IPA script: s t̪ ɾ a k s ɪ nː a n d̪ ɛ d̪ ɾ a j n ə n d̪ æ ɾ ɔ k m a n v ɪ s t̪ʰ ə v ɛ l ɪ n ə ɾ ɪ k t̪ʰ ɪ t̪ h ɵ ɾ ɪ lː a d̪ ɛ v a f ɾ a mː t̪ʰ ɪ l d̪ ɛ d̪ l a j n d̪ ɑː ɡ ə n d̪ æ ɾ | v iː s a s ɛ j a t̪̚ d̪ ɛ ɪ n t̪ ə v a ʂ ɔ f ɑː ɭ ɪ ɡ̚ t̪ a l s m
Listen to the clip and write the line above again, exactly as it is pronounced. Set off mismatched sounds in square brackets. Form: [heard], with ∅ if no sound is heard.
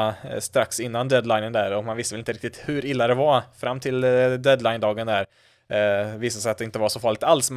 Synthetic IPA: s t̪ ɾ a k s ɪ nː a n d̪ ɛ d̪ [l] a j n ə n d̪ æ ɾ ɔ k m a n v ɪ s [t̪] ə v ɛ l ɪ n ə ɾ ɪ k [t̪] ɪ t̪ h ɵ ɾ ɪ lː a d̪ ɛ v a f ɾ a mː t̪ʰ ɪ l d̪ ɛ d̪ l a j n d̪ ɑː ɡ ə n d̪ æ ɾ | v iː s a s ɛ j a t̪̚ d̪ ɛ ɪ n t̪ ə v a ʂ ɔ f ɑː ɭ ɪ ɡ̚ t̪ a l s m